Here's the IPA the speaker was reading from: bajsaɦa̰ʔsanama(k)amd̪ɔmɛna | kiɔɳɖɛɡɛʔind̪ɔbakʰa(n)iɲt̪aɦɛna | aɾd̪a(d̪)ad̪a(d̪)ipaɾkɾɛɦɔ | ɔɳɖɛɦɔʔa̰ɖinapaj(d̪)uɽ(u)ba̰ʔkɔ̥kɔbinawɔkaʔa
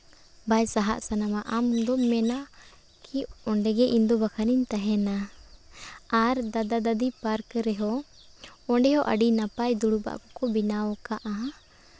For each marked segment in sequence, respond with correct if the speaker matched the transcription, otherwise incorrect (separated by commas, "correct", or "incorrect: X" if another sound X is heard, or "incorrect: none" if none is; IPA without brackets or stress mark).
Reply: incorrect: ʔ, correct, correct, correct, correct, correct